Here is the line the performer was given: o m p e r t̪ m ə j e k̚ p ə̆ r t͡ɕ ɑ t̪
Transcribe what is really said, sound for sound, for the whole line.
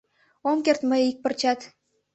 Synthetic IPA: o m k e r t̪ m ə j i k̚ p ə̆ r t͡ɕ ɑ t̪